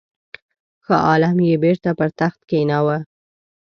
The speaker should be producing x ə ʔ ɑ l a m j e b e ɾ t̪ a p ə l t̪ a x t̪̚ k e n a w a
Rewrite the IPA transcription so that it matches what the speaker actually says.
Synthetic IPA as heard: x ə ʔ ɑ l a m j e b e ɾ t̪ a p ə ɾ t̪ a x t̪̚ k e n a w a